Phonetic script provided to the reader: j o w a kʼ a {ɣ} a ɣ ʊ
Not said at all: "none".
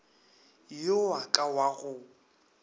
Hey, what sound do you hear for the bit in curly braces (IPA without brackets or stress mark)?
w